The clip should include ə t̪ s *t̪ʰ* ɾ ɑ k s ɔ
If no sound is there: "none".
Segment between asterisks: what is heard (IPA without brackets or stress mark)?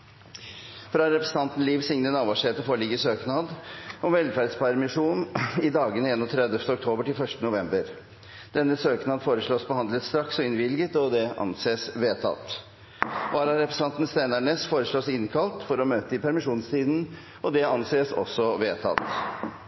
t̪